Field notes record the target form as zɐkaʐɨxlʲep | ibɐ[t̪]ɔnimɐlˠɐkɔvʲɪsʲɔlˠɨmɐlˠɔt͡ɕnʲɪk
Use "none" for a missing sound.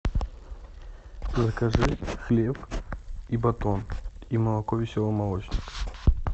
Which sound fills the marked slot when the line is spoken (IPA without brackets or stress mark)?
t̪